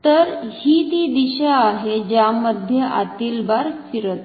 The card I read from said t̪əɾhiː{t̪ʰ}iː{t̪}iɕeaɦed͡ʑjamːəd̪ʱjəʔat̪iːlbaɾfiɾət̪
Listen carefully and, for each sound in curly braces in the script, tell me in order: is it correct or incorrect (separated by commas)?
incorrect, incorrect